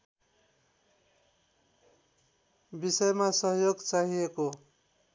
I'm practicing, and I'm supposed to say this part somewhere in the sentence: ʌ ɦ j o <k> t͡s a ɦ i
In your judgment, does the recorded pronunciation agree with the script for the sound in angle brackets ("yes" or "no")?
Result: no